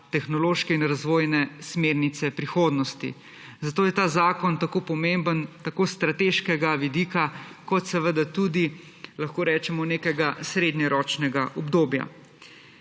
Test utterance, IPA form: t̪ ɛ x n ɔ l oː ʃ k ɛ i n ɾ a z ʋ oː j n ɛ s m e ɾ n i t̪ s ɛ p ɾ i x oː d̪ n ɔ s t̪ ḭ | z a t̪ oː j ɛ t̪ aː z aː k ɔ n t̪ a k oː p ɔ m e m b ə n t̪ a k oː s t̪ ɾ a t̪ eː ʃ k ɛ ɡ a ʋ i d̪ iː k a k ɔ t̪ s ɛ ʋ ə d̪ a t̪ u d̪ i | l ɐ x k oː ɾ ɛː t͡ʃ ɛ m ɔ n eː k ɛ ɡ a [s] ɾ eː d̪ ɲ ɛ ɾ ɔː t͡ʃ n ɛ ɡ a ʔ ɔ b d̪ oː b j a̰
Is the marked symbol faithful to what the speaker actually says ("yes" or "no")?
yes